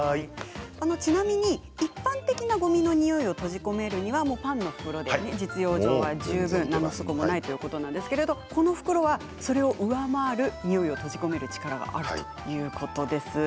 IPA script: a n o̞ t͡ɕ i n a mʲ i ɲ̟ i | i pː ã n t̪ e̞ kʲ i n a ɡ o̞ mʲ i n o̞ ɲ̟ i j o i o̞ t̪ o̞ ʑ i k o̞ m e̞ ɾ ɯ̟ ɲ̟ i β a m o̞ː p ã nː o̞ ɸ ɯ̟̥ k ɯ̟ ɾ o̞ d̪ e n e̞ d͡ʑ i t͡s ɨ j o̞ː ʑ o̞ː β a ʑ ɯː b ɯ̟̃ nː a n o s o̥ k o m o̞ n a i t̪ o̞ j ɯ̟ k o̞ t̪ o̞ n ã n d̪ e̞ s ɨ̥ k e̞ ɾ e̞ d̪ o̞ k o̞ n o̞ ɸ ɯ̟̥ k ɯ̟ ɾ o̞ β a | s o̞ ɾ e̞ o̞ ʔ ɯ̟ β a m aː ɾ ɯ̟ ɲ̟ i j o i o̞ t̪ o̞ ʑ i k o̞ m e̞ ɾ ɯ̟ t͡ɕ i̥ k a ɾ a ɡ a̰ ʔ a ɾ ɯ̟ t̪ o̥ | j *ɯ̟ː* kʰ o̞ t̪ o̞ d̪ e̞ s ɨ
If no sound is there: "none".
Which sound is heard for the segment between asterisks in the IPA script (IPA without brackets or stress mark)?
ɯ̟ː